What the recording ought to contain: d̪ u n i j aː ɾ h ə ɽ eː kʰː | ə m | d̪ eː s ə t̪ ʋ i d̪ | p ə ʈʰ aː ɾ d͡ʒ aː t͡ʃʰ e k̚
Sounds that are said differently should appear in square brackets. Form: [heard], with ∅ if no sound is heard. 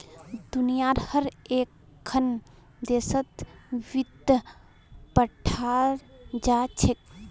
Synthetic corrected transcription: d̪ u n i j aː ɾ h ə [ɾ] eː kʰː | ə [n] | d̪ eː s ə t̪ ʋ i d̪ | p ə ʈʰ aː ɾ d͡ʒ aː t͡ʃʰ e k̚